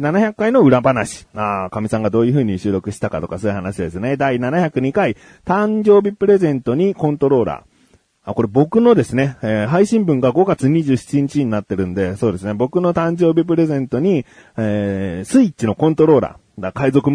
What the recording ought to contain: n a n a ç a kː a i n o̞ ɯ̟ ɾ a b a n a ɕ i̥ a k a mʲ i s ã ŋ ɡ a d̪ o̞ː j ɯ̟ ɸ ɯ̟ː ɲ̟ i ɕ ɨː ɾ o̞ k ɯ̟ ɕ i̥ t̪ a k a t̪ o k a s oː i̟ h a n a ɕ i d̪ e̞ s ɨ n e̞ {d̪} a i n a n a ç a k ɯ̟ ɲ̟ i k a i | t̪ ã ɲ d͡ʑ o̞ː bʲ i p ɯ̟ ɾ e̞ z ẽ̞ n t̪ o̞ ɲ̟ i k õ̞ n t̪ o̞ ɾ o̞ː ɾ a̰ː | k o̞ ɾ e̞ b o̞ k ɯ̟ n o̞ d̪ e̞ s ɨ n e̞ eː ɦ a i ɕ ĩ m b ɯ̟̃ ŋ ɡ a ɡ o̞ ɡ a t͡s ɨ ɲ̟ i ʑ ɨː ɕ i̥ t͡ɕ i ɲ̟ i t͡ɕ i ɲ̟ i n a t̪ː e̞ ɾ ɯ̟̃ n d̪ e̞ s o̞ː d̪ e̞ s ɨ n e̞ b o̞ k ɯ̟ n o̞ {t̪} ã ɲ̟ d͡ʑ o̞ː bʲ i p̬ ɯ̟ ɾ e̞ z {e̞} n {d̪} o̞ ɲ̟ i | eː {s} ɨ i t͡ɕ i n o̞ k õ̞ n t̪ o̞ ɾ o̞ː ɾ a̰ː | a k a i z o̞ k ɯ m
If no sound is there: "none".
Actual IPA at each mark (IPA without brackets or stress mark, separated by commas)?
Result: d̪, t̪, ẽ̞, t̪, s